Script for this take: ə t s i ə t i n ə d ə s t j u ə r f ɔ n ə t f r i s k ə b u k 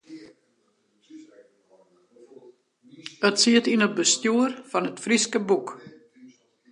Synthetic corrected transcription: ə t s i ə t i n ə b ə s t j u ə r f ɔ n ə t f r i s k ə b u k